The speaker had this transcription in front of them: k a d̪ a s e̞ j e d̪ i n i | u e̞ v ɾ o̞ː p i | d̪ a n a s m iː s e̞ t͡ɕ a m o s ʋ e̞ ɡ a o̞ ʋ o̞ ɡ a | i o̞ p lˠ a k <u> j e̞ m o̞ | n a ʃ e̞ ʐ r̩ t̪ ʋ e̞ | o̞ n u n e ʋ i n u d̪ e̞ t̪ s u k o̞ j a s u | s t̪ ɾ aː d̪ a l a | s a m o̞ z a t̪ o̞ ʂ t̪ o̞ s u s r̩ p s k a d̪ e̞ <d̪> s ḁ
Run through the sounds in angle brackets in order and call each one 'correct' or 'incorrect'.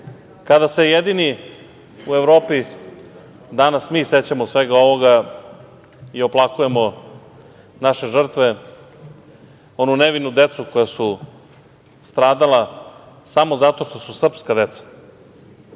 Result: correct, incorrect: t̪

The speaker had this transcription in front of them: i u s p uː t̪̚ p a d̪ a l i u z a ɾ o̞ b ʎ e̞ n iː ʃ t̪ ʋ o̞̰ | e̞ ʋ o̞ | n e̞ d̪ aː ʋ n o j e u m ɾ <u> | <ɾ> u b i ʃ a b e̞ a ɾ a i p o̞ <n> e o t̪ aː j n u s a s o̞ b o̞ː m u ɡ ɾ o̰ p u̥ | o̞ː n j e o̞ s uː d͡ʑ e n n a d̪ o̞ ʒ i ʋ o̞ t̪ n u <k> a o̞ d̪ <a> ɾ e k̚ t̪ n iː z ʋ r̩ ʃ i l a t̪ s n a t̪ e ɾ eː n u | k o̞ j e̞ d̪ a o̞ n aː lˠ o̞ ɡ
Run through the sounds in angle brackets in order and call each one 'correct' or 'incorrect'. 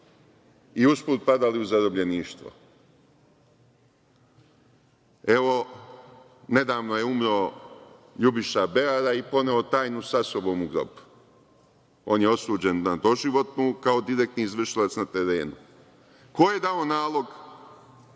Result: incorrect: o, incorrect: ʎ, correct, correct, incorrect: i

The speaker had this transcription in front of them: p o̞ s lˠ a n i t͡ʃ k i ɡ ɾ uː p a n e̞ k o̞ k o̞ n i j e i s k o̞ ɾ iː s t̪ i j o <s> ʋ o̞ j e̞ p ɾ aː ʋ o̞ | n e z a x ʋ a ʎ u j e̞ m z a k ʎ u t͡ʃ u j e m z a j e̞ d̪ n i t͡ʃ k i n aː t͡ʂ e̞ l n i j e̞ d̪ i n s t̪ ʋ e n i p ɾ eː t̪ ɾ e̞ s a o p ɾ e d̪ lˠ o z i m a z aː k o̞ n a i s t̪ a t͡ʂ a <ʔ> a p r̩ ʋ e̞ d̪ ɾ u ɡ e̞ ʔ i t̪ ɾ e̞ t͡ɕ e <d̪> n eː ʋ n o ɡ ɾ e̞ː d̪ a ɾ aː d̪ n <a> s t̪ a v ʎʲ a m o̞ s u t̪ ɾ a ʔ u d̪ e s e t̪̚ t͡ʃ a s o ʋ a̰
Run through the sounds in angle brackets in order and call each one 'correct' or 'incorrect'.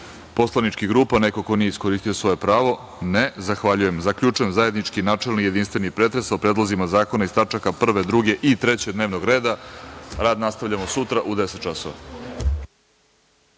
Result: correct, incorrect: k, correct, correct

